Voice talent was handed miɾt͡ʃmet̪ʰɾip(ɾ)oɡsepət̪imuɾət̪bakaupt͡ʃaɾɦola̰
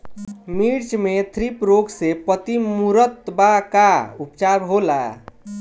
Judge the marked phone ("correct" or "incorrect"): correct